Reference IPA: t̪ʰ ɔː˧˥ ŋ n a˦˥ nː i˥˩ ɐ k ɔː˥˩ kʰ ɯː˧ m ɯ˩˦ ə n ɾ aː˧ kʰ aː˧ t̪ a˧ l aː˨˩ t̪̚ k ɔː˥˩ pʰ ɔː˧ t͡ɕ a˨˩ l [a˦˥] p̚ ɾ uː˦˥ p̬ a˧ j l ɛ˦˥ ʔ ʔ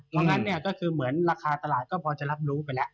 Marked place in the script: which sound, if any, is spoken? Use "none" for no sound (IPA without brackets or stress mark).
a˦˥